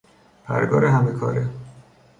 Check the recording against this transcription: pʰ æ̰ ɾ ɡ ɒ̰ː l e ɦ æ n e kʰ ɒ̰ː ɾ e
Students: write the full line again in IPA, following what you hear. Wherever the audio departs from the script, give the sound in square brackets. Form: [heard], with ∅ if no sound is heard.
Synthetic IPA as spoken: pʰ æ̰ ɾ ɡ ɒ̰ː [ɾ] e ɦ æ [m] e kʰ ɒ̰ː ɾ e